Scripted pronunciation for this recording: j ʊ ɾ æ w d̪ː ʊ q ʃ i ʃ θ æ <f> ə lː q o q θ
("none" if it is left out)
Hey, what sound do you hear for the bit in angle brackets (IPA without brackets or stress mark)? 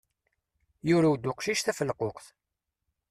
f